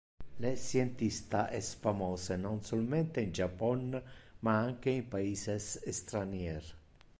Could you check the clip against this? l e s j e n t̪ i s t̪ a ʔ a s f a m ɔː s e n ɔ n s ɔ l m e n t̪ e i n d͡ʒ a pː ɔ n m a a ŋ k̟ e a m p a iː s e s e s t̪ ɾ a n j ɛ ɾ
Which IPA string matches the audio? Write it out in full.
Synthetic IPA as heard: l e s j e n t̪ i s t̪ a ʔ ɛ s f a m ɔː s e n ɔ n s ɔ l m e n t̪ e i n d͡ʒ a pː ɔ n m a a ŋ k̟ e i m p a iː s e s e s t̪ ɾ a n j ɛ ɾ